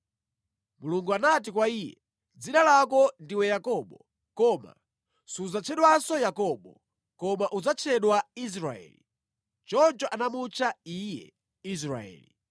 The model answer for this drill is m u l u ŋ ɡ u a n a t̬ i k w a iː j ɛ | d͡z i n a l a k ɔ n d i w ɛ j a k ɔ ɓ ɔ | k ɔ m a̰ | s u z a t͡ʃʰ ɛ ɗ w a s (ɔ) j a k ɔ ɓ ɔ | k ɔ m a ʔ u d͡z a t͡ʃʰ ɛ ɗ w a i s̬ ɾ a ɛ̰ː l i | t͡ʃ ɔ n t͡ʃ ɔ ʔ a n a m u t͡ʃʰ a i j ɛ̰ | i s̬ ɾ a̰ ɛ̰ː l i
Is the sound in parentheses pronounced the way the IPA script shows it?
yes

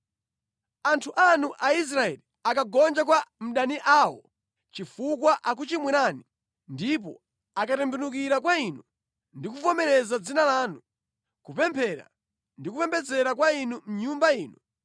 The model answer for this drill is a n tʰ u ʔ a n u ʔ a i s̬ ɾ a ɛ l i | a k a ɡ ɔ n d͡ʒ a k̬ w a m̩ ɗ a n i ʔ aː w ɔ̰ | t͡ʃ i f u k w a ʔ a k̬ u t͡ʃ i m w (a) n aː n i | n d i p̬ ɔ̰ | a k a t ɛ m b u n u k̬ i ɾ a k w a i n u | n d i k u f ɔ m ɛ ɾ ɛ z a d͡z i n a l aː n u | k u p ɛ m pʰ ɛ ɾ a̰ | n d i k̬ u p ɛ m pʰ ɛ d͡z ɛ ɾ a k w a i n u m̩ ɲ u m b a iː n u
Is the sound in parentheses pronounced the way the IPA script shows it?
no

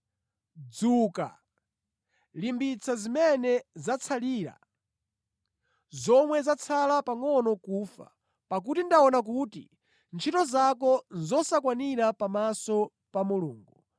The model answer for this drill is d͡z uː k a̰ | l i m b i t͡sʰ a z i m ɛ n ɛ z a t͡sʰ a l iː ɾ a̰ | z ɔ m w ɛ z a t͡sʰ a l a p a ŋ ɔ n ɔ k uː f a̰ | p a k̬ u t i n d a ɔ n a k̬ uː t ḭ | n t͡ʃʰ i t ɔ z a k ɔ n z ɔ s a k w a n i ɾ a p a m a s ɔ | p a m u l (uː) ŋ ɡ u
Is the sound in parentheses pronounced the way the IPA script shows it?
yes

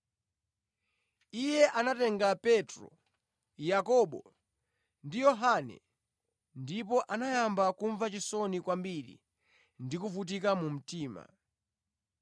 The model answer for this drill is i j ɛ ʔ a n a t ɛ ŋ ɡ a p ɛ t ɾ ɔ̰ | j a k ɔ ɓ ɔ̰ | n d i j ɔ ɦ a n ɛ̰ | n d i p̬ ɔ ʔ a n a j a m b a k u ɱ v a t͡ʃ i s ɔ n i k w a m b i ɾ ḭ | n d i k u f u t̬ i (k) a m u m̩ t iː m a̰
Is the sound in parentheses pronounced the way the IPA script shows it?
yes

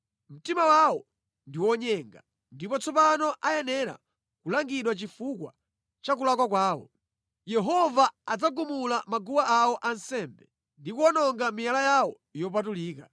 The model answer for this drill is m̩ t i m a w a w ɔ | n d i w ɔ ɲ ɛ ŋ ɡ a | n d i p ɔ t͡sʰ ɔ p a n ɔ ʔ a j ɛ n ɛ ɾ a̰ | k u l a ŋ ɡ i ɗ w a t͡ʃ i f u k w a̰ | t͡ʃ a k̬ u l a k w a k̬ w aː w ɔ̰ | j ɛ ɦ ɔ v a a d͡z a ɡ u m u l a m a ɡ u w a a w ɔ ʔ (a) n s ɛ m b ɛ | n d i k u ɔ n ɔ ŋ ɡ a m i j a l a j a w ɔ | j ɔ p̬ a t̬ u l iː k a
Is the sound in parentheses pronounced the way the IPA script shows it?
yes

